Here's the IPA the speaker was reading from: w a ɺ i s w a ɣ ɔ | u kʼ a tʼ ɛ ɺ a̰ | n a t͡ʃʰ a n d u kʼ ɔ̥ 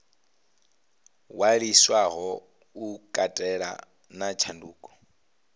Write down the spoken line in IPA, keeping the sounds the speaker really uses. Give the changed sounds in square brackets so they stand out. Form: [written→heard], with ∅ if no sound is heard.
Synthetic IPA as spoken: w a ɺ i s w a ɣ ɔ | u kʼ a tʼ ɛ ɺ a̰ | n a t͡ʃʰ a n d [u→uː] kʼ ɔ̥